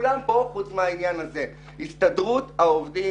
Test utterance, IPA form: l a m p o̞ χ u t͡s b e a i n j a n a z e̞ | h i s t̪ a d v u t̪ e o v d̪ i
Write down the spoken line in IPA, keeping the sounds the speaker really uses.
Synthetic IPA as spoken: l a m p o̞ χ u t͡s m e a i n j a n a z e̞ | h i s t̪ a d ʁ u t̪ a o v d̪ i